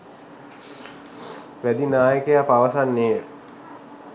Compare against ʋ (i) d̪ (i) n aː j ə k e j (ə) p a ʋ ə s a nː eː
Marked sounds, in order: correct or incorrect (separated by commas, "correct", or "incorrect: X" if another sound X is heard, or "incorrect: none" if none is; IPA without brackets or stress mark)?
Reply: incorrect: æ, correct, incorrect: a